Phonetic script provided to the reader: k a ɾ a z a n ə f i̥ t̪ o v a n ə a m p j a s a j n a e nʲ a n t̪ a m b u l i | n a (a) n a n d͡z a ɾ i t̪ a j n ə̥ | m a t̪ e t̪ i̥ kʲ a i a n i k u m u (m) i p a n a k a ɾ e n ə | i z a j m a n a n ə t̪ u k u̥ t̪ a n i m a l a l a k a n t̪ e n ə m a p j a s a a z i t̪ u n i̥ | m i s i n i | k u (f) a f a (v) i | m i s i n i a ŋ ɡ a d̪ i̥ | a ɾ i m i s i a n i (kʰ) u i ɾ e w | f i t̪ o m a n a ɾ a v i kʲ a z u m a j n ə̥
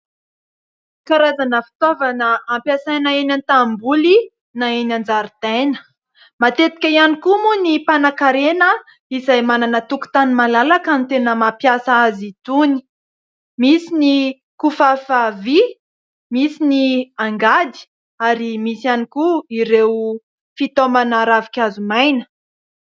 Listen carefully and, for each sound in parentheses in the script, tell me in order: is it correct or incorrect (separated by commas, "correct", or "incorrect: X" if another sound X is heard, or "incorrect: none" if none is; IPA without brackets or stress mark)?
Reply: incorrect: e, incorrect: n, correct, correct, incorrect: k